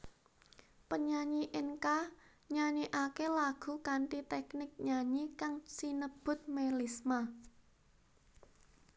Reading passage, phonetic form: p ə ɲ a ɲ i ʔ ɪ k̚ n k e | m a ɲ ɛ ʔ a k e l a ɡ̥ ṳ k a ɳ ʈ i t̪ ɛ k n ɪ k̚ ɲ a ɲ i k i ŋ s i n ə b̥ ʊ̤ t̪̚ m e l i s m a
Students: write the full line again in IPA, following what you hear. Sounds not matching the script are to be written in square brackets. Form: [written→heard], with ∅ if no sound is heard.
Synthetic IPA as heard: p ə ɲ a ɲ i ʔ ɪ [k̚→∅] n k [e→a] | [m→ɲ] a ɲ [ɛ→i] ʔ a k e l a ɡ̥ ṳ k a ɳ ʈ i t̪ ɛ k n ɪ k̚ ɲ a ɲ i k [i→a] ŋ s i n ə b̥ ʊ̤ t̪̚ m e l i s m a